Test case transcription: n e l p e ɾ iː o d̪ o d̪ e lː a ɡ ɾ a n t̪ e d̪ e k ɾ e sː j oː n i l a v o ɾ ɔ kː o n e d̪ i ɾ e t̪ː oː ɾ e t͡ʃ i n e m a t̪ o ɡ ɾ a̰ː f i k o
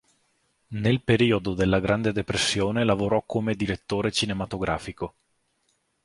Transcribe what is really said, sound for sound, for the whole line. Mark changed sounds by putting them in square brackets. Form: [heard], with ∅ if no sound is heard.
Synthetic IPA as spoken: n e l p e ɾ iː o d̪ o d̪ e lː a ɡ ɾ a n [d̪] e d̪ e [p] ɾ e sː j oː n [e] l a v o ɾ ɔ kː o [m] e d̪ i ɾ e t̪ː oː ɾ e t͡ʃ i n e m a t̪ o ɡ ɾ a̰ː f i k o